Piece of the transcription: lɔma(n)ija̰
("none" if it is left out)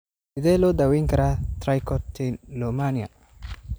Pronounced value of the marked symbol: n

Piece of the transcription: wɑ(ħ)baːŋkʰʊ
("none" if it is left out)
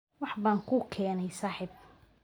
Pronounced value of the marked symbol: ħ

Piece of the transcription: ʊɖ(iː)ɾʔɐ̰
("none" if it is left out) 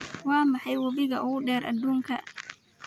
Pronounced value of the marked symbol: ɛː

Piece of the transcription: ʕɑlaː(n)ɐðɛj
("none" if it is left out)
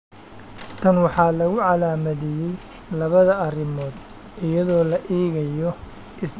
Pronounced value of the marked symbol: m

